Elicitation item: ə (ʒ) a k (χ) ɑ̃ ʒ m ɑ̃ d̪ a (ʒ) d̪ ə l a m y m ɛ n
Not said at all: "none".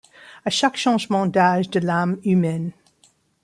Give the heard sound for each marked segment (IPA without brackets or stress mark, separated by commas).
ʃ, ʃ, ʒ